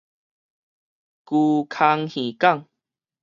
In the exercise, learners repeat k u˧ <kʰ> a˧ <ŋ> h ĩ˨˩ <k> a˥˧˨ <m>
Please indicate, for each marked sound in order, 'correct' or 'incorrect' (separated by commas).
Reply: correct, correct, correct, incorrect